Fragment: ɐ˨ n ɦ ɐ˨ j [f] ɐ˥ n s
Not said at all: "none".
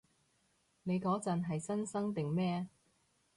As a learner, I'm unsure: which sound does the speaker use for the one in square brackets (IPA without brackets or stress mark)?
s